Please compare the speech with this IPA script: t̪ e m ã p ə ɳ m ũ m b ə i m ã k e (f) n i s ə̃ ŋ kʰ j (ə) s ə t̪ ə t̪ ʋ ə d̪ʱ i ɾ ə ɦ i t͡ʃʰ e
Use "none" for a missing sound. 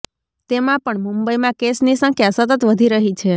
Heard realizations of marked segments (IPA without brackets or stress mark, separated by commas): s, a